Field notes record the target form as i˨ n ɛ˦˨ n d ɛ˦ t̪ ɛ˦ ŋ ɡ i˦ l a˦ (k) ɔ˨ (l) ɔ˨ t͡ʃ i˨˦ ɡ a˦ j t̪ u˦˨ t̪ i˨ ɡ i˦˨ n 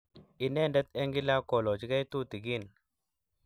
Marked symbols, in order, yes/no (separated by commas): yes, yes